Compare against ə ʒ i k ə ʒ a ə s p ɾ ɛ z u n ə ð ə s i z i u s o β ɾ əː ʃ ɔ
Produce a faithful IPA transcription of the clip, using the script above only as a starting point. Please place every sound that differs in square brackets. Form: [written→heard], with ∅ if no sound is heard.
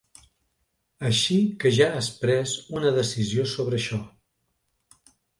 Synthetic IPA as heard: ə [ʒ→ʃ] i k ə ʒ a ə s p ɾ ɛ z u n ə ð ə s i z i [u→o] s o β ɾ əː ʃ ɔ